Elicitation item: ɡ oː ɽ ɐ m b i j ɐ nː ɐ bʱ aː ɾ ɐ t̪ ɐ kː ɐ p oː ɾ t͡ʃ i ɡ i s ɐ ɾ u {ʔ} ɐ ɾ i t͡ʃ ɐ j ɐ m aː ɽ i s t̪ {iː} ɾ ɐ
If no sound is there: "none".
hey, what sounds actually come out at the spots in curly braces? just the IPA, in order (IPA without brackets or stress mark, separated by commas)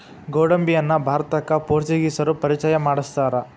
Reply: p, aː